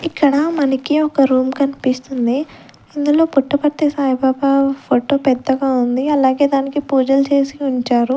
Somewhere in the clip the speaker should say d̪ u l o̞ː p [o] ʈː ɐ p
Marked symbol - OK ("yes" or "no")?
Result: no